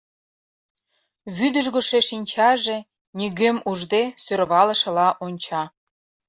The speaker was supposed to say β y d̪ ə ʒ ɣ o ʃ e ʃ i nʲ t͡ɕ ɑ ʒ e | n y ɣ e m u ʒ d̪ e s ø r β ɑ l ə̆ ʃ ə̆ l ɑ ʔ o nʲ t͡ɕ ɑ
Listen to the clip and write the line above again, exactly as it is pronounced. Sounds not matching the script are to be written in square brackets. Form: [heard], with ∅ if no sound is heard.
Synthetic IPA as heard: β y d̪ ə ʒ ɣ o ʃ e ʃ i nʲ t͡ɕ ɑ ʒ e | n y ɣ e m u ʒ d̪ e s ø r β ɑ l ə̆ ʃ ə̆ l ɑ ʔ o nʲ t͡ɕ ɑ